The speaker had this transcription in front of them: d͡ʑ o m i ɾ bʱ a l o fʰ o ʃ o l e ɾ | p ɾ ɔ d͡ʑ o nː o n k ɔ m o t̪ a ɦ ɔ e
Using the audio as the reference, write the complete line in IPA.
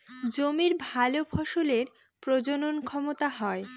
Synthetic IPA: d͡ʑ o m i ɾ bʱ a l o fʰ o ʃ o l e ɾ | p ɾ o d͡ʑ o n o n kʰ ɔ m o t̪ a ɦ ɔ e